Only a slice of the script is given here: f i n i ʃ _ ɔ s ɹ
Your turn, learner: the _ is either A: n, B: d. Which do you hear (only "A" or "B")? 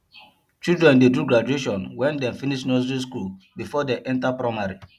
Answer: A